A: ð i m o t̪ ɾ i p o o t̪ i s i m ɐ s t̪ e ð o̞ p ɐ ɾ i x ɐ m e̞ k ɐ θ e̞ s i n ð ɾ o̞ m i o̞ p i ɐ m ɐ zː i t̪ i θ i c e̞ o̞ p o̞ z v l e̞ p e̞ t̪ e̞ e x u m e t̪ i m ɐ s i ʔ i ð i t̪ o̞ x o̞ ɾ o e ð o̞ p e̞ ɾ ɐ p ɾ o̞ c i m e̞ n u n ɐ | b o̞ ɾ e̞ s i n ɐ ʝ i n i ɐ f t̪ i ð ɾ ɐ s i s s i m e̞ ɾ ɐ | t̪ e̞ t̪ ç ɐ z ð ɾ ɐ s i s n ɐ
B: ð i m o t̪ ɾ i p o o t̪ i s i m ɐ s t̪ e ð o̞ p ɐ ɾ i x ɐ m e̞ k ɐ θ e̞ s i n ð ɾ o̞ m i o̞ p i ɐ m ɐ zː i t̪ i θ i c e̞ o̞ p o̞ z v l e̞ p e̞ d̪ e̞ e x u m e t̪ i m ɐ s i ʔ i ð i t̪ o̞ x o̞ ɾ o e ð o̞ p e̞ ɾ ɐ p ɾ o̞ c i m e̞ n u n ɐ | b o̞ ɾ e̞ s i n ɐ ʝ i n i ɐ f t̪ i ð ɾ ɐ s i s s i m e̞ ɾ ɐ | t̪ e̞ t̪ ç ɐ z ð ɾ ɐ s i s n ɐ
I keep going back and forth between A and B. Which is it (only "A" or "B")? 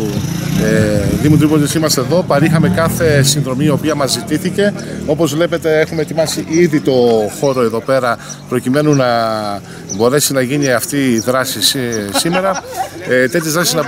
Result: A